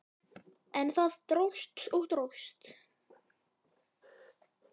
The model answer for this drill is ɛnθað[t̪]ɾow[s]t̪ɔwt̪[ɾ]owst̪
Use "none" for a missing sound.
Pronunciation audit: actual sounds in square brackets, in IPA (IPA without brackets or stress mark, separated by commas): t̪, s, ɾ